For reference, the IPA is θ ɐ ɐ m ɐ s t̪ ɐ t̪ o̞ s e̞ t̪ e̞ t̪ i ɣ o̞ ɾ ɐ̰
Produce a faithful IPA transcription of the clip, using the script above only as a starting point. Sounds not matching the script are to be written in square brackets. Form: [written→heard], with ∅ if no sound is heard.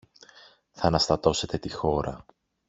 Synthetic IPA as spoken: θ ɐ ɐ [m→n] ɐ s t̪ ɐ t̪ o̞ s e̞ t̪ e̞ t̪ i [ɣ→x] o̞ ɾ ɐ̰